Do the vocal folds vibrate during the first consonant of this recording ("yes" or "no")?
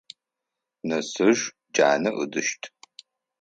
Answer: yes